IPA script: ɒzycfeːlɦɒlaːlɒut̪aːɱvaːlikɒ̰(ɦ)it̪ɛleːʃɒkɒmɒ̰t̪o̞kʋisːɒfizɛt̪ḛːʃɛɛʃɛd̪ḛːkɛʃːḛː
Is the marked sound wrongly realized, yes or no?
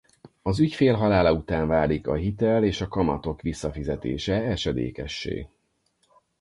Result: no